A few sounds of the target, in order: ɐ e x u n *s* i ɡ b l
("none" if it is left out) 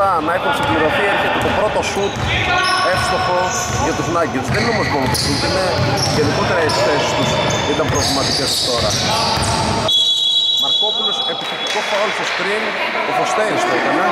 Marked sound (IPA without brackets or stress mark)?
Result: s